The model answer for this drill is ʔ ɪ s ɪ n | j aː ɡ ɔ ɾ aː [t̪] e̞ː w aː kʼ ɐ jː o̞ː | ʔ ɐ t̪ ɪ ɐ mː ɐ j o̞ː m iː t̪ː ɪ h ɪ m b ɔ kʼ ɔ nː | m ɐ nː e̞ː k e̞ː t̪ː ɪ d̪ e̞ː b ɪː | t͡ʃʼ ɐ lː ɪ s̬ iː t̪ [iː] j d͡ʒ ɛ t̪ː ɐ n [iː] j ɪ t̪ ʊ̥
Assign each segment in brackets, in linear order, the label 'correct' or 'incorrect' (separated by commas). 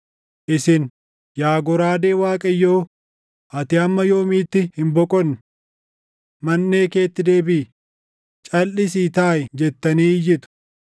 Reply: incorrect, incorrect, correct